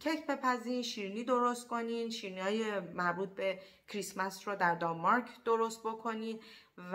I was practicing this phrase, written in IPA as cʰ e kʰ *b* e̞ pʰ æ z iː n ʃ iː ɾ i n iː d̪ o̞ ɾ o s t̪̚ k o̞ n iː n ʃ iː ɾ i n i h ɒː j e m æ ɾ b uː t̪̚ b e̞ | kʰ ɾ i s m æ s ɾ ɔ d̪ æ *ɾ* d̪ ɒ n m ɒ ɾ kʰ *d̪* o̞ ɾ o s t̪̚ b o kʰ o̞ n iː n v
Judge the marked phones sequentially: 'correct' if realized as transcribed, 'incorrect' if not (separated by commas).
correct, correct, correct